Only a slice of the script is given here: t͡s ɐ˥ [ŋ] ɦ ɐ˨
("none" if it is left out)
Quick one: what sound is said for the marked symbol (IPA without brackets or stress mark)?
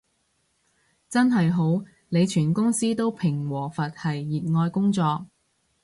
n